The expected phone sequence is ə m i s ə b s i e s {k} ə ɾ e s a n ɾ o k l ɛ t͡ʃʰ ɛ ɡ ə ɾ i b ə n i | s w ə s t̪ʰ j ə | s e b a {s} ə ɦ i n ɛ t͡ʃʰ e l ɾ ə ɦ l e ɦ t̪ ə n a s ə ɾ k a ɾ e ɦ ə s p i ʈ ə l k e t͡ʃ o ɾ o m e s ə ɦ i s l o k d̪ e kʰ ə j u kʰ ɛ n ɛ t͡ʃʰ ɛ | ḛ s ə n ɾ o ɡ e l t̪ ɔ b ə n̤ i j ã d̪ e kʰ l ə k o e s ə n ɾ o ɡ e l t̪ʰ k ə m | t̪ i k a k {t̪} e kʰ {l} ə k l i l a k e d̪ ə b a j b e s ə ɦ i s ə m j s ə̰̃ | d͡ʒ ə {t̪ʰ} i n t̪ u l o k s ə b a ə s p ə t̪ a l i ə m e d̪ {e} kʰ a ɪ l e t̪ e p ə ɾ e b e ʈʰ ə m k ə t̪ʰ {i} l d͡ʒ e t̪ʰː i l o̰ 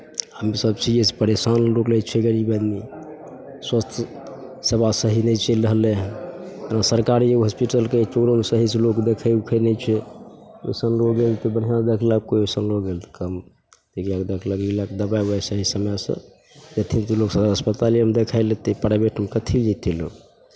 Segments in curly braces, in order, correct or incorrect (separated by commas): incorrect, correct, incorrect, correct, correct, correct, correct